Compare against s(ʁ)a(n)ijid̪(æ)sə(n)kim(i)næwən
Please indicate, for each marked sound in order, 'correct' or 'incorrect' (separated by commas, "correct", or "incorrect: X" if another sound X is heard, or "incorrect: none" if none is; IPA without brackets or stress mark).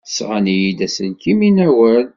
correct, correct, correct, correct, correct